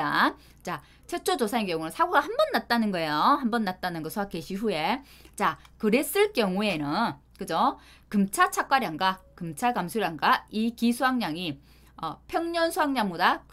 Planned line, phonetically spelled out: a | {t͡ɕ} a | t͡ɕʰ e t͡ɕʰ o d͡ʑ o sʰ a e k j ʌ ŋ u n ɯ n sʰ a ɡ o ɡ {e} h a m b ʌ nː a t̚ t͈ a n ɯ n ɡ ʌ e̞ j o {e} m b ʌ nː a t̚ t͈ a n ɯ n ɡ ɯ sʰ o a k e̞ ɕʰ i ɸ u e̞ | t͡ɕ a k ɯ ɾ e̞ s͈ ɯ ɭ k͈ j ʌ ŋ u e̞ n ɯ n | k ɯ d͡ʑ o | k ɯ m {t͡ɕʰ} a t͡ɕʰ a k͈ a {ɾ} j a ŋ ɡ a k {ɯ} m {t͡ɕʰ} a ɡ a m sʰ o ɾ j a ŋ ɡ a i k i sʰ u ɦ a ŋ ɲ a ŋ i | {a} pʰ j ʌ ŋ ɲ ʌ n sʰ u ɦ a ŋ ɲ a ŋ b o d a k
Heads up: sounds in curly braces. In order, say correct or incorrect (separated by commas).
correct, incorrect, incorrect, correct, correct, correct, correct, incorrect